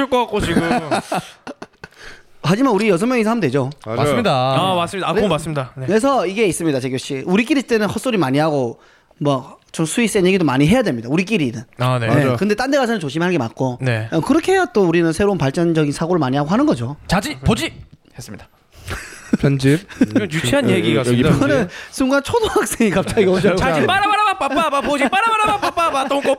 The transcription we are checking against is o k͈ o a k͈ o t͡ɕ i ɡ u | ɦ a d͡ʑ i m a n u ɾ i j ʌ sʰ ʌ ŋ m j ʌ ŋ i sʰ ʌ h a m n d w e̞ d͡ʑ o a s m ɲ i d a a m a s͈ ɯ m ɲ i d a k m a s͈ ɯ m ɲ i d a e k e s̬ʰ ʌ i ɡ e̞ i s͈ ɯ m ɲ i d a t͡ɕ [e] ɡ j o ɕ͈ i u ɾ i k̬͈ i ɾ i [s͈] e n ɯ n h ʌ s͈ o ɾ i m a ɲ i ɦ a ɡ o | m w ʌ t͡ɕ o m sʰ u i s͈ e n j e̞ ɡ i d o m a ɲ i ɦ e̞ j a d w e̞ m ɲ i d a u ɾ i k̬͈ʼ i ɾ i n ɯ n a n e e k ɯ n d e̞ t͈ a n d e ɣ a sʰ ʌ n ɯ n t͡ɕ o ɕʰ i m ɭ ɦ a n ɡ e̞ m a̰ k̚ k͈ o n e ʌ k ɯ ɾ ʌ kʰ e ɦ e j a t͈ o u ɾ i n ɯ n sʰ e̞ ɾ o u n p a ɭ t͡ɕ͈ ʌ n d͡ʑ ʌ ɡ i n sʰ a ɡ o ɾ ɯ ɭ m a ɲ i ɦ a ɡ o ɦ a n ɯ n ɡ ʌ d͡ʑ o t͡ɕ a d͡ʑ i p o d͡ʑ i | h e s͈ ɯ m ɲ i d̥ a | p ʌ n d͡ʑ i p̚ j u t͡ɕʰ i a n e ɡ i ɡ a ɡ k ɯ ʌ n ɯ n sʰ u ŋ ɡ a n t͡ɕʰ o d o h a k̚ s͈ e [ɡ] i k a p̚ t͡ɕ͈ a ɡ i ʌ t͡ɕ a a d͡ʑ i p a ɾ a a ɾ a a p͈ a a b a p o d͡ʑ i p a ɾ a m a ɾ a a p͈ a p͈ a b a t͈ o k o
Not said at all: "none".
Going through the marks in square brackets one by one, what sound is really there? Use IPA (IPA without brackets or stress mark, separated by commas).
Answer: e, t͈, ŋ